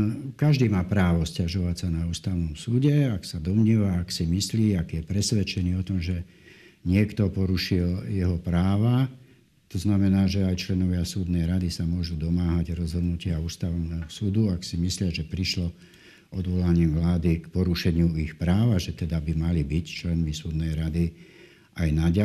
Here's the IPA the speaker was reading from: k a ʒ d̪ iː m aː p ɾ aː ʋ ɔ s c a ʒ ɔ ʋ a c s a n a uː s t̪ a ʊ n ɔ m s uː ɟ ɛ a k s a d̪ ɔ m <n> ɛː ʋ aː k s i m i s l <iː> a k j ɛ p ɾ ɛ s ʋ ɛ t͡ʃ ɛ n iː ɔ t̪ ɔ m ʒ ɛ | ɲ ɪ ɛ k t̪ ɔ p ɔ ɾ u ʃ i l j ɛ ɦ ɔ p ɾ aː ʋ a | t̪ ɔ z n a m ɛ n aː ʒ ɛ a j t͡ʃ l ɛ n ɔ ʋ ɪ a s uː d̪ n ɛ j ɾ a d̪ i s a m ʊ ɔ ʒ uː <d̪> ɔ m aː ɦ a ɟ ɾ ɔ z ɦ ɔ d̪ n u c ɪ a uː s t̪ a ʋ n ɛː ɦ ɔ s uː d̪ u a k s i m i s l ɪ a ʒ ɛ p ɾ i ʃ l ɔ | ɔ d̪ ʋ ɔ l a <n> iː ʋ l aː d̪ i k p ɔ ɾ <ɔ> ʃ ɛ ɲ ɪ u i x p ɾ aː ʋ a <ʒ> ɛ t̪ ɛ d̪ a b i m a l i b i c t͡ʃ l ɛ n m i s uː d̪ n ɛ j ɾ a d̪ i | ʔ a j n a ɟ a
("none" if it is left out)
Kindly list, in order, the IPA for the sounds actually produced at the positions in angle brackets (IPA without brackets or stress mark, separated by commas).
ɲ, iː, d̪, ɲ, u, ʒ